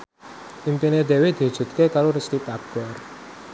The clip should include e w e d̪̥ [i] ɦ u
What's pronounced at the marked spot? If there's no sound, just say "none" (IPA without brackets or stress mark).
i